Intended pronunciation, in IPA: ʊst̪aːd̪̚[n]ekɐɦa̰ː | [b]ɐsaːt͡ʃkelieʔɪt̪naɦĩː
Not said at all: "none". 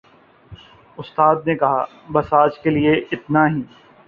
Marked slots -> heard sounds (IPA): n, b

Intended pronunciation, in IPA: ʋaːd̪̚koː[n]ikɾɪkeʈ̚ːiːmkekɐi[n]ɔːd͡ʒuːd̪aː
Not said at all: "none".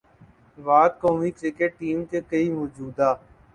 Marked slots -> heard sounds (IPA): m, m

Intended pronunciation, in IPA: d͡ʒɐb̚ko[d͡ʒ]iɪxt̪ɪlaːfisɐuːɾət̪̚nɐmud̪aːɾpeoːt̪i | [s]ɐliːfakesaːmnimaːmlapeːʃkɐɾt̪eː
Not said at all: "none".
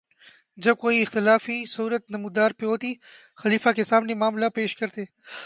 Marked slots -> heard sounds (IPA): none, x

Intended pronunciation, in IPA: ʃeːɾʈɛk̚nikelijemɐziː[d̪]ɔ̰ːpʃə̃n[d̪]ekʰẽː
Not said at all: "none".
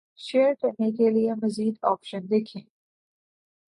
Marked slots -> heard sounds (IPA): d̪, d̪

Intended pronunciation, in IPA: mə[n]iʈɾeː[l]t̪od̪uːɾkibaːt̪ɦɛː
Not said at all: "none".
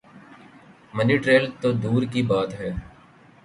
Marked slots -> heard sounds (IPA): n, l

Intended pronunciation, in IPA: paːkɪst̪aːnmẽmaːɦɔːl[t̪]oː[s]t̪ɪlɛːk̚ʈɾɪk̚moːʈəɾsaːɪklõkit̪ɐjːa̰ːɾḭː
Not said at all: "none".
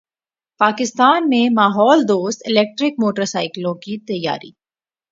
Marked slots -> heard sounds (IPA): d̪, s

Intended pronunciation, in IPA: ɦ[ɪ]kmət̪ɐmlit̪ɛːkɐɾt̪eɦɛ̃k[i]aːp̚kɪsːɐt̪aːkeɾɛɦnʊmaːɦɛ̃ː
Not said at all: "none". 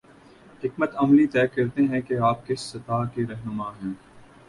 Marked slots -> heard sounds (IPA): ɪ, e

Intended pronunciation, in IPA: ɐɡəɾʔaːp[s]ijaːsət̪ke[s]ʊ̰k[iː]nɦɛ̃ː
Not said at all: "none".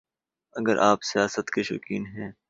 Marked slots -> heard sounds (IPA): s, ʃ, iː

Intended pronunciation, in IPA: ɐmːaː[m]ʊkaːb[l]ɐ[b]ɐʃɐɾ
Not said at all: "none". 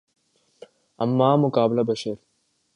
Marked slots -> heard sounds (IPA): m, l, b

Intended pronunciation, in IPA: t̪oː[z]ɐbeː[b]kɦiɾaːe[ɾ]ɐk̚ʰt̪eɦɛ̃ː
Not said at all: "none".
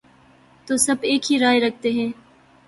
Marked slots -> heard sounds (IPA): s, none, ɾ

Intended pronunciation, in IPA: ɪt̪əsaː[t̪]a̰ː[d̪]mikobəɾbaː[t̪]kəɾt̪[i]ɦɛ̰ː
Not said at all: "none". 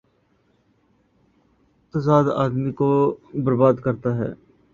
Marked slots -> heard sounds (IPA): d̪, d̪, d̪, a

